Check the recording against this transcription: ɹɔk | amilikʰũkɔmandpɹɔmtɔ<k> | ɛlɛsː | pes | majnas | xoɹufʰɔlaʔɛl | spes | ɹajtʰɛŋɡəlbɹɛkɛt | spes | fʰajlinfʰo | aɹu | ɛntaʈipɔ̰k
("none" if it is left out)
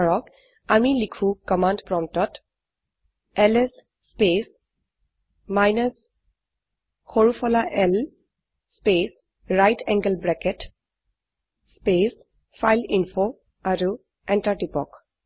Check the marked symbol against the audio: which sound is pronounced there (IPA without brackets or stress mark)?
t